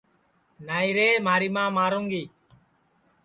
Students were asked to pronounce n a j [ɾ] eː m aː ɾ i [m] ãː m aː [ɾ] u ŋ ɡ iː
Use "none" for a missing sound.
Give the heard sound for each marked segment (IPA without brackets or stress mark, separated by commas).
ɾ, m, ɾ